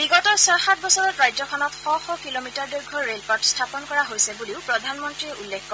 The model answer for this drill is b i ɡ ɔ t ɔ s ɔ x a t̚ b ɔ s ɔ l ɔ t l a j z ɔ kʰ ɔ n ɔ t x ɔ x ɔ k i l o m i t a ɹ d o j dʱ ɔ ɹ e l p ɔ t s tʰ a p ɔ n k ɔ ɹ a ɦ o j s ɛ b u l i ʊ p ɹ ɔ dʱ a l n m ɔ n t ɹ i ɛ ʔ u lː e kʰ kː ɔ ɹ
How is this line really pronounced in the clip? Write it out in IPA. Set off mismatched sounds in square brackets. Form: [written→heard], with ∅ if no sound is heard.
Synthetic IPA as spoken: b i ɡ ɔ t ɔ s ɔ x a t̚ b ɔ s ɔ [l→ɹ] ɔ t [l→ɹ] a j z ɔ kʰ ɔ n ɔ t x ɔ x ɔ k i l o m i t a ɹ d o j [dʱ→ɡʱ] ɔ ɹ e l p ɔ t s tʰ a p ɔ n k ɔ ɹ a ɦ o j s ɛ b u l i ʊ p ɹ ɔ dʱ a [l→∅] n m ɔ n t ɹ i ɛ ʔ u lː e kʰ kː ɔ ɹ